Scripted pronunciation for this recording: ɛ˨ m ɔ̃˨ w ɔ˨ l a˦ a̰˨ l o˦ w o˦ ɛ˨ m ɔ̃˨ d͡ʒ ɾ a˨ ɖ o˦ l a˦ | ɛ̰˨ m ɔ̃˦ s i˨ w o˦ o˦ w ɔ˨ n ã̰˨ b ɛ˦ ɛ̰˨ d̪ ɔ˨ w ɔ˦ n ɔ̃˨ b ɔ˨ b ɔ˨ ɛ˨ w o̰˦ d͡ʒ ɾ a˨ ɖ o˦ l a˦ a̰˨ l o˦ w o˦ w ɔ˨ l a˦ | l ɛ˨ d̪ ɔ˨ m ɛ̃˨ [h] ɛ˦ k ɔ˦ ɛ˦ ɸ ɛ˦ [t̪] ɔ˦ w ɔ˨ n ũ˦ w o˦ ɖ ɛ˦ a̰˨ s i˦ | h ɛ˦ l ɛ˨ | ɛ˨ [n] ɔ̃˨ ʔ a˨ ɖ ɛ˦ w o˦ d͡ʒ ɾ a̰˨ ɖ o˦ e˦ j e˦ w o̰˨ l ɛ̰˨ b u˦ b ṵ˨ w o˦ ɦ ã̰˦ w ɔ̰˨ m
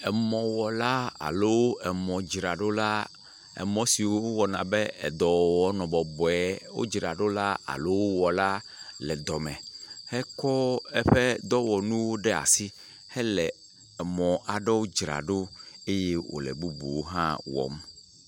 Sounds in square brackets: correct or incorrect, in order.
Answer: correct, incorrect: d̪, incorrect: m

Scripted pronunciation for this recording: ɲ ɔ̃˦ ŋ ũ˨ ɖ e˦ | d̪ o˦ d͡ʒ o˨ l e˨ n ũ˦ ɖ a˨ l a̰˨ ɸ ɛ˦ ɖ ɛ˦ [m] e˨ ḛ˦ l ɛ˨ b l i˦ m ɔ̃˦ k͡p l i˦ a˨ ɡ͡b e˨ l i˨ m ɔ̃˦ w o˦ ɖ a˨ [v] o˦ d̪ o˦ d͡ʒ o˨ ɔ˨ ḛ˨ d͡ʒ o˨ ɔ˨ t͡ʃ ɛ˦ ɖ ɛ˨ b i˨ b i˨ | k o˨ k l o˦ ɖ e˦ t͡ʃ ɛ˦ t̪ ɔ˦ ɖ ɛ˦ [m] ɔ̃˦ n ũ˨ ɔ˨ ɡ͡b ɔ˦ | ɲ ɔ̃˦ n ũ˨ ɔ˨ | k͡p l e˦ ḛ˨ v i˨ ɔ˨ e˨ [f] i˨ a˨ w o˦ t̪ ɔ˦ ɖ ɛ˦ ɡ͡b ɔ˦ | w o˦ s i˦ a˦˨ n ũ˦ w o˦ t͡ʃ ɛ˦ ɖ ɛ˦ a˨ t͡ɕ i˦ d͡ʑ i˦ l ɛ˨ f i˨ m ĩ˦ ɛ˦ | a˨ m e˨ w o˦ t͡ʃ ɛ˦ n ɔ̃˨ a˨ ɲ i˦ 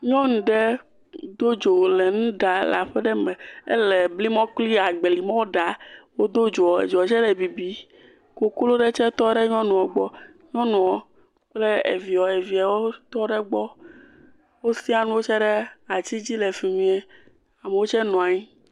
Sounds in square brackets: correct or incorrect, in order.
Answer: correct, incorrect: w, incorrect: ɲ, incorrect: v

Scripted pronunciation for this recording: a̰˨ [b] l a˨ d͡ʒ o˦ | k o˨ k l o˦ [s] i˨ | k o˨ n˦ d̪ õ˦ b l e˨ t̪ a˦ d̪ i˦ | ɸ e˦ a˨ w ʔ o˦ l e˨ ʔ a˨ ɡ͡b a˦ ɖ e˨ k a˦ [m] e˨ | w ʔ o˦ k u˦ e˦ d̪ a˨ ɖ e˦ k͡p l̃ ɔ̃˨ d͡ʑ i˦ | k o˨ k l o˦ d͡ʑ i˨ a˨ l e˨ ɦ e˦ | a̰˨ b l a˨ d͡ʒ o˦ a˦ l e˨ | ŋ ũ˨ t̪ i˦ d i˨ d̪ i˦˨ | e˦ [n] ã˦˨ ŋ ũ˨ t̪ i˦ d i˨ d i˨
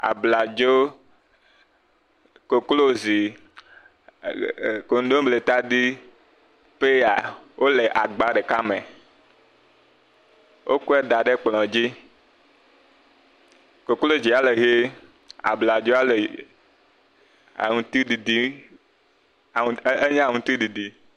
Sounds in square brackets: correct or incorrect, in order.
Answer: correct, incorrect: z, correct, incorrect: ɲ

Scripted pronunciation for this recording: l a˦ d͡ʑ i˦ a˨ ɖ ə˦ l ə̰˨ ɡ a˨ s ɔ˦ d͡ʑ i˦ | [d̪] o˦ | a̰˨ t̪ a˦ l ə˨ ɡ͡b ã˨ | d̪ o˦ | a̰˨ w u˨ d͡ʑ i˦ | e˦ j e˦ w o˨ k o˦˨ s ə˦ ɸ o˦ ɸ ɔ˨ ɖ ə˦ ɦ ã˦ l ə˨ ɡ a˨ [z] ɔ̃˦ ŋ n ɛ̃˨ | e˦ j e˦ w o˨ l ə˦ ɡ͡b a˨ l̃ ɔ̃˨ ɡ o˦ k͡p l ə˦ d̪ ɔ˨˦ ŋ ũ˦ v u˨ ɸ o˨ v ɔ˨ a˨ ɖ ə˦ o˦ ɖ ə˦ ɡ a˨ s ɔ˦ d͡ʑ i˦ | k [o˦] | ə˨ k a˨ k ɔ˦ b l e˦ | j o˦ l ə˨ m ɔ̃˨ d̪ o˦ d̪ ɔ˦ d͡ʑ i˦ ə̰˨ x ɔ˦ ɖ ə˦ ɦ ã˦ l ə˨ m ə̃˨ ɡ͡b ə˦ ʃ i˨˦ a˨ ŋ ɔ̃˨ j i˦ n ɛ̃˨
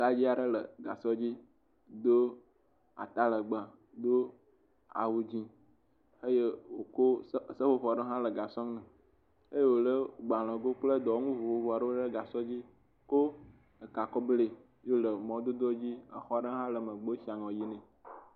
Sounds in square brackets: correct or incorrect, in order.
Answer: correct, incorrect: s, correct

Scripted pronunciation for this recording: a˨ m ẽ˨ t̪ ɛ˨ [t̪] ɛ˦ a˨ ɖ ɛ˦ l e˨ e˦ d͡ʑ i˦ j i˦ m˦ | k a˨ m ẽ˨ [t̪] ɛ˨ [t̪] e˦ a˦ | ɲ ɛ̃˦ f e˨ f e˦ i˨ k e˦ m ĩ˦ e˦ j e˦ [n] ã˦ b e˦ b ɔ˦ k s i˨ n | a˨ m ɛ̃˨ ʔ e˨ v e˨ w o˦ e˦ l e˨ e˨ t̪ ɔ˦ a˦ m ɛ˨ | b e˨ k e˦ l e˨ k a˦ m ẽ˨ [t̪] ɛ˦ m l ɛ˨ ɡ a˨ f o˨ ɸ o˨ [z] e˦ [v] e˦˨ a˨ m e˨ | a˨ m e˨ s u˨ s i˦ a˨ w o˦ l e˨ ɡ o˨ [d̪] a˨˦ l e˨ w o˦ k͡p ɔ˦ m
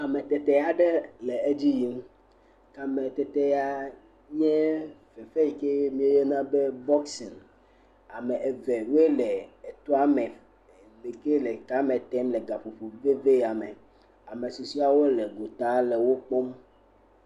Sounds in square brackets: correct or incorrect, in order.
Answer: correct, correct, correct, correct, correct, incorrect: v, correct, incorrect: t̪

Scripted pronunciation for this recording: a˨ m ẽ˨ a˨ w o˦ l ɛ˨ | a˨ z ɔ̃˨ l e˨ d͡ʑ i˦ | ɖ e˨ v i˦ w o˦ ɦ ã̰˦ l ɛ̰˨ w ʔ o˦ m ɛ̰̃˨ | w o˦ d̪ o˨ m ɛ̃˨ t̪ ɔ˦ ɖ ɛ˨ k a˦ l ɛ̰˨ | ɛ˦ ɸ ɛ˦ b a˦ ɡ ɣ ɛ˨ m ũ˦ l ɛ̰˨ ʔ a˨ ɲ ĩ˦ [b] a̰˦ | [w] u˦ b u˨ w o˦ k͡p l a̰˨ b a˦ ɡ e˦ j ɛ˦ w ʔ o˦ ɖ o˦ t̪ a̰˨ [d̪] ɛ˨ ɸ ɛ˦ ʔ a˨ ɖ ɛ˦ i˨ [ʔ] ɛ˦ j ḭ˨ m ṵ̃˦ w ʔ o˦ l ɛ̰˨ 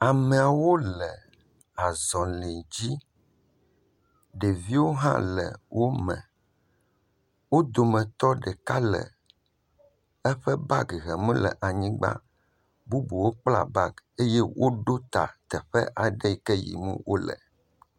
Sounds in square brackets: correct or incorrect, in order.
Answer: incorrect: ɡ͡b, incorrect: b, incorrect: t̪, incorrect: k

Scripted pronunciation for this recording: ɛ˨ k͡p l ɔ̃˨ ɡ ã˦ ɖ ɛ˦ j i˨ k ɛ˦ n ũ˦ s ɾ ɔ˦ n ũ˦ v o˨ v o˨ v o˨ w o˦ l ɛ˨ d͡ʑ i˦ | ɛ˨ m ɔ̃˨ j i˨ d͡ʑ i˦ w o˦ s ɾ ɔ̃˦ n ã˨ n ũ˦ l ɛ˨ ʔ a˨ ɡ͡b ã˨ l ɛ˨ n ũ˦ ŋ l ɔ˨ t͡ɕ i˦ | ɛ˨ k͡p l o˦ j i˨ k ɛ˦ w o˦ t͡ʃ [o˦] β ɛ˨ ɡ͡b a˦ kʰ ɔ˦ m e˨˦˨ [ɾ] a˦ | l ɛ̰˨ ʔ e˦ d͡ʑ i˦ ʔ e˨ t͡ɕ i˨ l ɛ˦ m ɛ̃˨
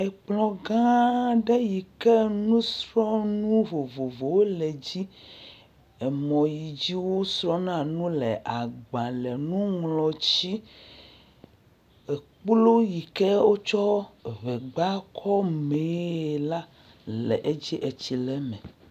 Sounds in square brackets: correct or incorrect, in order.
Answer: incorrect: ɔ˦, incorrect: l

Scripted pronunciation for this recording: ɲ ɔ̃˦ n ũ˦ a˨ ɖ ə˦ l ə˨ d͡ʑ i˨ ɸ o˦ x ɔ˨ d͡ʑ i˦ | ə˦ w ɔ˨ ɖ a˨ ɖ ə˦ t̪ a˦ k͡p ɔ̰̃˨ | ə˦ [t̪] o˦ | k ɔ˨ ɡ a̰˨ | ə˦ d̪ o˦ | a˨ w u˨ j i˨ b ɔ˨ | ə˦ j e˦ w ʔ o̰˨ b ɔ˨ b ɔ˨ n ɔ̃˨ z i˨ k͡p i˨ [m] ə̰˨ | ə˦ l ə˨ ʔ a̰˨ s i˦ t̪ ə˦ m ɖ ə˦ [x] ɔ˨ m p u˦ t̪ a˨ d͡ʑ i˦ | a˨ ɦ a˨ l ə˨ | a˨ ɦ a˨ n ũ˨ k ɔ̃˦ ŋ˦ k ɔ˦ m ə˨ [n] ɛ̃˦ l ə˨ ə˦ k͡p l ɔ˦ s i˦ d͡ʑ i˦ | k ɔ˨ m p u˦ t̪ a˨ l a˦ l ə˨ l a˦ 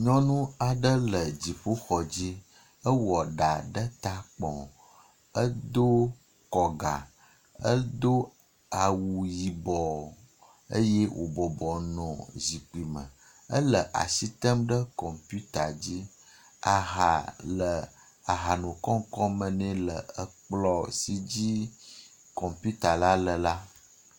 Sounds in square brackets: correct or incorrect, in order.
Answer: incorrect: d̪, correct, incorrect: k, correct

